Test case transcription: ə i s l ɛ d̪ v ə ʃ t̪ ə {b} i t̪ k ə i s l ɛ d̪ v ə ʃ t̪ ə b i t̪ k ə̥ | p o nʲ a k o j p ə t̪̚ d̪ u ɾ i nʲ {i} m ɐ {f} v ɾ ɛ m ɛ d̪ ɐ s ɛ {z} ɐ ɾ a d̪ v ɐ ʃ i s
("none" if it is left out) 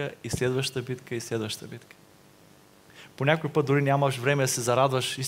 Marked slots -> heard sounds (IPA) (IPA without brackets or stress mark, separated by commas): b, a, ʃ, z